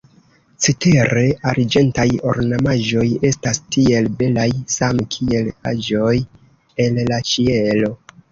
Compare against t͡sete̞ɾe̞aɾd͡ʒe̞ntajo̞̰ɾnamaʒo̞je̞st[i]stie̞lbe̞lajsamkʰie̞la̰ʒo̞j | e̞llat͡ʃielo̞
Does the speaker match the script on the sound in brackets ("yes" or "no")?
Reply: no